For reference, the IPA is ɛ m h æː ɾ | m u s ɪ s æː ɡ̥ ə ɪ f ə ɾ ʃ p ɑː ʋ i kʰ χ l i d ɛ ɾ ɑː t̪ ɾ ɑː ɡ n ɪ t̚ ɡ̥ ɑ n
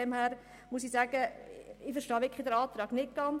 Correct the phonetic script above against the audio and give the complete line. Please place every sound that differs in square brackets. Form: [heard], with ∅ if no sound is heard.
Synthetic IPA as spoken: ɛ m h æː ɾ | m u s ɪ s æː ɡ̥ ə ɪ f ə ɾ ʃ [t] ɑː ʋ [ɪ] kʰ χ l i d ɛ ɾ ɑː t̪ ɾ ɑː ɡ n ɪ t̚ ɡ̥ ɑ n